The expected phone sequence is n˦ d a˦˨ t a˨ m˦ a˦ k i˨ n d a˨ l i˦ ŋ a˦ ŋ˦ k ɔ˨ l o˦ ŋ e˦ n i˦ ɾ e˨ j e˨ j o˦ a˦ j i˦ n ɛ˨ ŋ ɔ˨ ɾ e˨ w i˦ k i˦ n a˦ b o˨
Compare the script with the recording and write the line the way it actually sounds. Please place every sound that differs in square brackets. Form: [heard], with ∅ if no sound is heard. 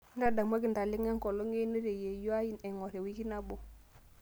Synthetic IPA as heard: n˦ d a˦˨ [d] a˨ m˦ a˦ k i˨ n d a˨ l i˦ ŋ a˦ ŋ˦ k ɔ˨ l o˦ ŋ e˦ n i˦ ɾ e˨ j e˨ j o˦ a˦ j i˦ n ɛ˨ ŋ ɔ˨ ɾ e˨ w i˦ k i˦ n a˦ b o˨

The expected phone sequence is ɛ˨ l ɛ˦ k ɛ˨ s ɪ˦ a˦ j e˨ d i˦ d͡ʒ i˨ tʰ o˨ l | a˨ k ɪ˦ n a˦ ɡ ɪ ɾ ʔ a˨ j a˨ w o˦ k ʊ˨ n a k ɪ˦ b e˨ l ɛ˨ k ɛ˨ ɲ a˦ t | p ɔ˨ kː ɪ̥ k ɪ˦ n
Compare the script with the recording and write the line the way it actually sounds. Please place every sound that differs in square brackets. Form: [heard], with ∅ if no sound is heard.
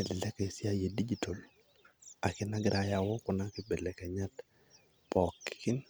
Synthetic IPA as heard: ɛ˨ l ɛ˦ k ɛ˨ s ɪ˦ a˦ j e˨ d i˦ d͡ʒ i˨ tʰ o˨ l | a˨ k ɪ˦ n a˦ ɡ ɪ ɾ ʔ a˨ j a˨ w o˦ k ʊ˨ n a k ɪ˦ b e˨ l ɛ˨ k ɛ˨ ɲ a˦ t | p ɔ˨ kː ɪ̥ k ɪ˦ n

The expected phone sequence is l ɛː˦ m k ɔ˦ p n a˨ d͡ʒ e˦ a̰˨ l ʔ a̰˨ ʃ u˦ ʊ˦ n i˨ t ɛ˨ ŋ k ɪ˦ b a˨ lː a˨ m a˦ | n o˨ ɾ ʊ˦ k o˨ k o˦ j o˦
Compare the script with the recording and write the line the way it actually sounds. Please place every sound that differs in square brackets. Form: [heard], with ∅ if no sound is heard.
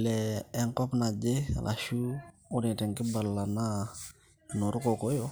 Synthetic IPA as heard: l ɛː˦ [ŋ] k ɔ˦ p n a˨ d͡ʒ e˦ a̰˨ l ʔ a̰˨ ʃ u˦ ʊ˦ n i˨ t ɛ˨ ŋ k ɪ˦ b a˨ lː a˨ [n] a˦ | n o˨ ɾ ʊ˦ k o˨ k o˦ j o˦

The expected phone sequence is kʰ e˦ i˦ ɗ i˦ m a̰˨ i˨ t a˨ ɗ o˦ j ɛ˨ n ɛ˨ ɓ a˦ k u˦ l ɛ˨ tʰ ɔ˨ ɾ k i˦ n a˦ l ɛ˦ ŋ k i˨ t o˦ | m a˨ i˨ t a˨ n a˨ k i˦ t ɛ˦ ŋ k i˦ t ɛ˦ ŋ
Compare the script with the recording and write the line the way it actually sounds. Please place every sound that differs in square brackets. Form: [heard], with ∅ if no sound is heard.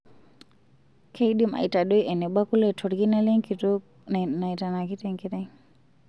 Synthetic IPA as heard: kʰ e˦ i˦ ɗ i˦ m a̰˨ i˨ t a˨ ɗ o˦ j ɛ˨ n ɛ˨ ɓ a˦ k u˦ l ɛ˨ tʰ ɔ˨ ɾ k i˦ n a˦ l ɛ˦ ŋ k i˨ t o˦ | [n] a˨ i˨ t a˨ n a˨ k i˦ t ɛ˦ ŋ k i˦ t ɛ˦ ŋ

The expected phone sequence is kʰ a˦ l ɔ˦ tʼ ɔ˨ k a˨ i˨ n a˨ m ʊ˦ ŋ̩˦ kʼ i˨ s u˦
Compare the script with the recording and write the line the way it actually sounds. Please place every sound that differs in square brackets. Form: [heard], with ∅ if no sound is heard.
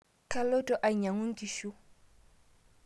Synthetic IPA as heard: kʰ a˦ l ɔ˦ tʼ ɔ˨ [ʔ] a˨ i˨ [ɲ] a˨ [ŋ] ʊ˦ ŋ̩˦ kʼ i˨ [ʃ] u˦

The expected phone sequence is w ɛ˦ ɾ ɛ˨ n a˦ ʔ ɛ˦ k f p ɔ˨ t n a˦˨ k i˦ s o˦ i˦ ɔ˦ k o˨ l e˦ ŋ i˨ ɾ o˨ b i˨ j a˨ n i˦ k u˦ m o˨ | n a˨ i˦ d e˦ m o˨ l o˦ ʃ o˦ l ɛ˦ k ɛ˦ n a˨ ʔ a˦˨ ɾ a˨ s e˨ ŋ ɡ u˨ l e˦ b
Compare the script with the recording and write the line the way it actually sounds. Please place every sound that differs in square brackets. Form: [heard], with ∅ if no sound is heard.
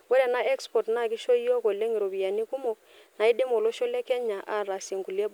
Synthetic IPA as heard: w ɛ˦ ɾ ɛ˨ n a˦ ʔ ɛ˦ k [s] p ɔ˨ t n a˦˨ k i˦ [ʃ] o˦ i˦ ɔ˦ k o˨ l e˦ ŋ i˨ ɾ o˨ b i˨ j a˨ n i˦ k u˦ m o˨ | n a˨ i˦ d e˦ m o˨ l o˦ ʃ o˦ l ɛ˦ k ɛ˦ [ɲ] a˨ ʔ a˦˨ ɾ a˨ s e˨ ŋ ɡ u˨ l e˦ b

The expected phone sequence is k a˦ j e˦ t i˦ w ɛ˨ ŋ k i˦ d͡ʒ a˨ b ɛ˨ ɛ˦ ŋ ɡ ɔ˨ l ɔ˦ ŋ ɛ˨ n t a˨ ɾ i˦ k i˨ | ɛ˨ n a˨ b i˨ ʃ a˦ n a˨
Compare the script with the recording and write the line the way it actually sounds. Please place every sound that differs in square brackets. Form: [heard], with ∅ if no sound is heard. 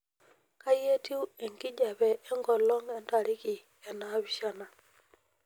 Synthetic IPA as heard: k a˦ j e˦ t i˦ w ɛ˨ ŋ k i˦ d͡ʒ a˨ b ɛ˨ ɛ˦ ŋ ɡ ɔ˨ l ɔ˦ ŋ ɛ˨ n t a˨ ɾ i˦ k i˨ | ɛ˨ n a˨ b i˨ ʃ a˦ n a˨

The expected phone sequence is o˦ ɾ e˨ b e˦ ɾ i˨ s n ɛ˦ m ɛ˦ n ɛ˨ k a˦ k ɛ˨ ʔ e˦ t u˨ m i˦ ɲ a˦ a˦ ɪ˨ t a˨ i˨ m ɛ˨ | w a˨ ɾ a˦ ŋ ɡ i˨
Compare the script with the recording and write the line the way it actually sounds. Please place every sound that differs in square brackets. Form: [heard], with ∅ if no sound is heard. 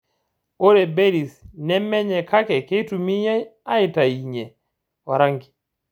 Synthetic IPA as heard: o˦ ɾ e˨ b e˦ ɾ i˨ s n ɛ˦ m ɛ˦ [ɲ] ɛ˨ k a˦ k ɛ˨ [k] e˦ t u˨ m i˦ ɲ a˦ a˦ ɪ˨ t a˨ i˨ [ɲ] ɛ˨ | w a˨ ɾ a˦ ŋ ɡ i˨

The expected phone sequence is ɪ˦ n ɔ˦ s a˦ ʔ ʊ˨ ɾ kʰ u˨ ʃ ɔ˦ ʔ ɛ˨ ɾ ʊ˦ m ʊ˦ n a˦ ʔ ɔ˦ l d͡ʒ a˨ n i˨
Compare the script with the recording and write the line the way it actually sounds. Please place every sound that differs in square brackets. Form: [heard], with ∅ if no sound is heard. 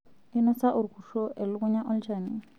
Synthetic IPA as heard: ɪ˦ n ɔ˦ s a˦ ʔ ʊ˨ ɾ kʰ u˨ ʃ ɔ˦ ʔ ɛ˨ [l] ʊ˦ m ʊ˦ [ɲ] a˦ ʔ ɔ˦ l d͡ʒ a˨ n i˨

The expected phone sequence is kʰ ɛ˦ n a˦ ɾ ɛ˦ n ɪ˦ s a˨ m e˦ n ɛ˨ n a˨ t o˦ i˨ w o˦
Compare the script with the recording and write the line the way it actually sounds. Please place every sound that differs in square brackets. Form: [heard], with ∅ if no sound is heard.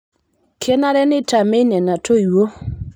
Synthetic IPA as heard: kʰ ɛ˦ n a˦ ɾ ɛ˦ n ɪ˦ [t] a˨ m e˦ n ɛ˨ n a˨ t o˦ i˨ w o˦

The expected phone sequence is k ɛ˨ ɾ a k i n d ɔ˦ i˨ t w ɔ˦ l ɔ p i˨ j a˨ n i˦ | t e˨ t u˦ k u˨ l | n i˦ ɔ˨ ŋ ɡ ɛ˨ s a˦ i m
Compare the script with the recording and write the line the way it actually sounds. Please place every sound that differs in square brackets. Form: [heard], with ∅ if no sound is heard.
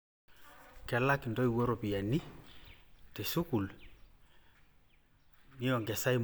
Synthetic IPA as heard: k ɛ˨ [l] a k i n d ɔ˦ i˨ [∅] w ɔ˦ [ɾ] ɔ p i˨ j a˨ n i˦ | t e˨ [s] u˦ k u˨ l | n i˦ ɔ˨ ŋ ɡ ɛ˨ s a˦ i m

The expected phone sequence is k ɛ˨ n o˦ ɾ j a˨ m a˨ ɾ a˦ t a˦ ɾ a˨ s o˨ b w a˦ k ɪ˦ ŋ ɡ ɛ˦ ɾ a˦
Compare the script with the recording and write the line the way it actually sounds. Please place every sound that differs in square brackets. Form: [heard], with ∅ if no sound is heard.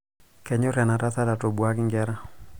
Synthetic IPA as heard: k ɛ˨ [ɲ] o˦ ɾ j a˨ [n] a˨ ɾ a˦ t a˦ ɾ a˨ [t] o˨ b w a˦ k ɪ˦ ŋ ɡ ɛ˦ ɾ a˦

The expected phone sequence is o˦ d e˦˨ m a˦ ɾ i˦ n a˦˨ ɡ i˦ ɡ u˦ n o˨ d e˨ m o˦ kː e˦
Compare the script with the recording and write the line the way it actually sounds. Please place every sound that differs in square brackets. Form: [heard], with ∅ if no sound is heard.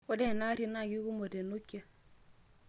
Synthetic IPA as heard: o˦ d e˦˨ [n] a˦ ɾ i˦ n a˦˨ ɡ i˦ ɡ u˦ [m] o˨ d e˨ [n] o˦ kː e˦

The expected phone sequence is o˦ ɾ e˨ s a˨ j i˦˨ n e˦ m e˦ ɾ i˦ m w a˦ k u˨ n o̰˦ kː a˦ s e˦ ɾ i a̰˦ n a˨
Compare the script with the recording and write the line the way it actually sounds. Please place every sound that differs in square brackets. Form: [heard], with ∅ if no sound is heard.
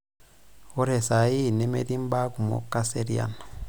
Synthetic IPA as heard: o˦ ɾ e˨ s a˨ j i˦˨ n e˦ m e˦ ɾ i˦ m [b] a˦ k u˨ [m] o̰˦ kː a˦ s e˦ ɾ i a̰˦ n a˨

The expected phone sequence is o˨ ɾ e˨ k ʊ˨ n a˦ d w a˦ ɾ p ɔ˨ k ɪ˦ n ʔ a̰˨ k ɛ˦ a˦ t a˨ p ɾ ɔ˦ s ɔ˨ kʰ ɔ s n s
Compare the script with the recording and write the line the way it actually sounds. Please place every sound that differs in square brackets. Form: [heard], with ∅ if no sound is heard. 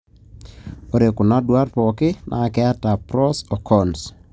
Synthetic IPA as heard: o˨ ɾ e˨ k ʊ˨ n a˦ d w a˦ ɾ p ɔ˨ k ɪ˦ n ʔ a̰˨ k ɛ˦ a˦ t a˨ p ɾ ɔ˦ s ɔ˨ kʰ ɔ [∅] n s

